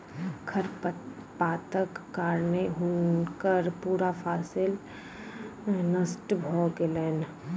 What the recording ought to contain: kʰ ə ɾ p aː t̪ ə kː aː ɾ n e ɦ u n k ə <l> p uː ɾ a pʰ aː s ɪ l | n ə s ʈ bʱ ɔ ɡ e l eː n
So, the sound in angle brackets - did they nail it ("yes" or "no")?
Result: no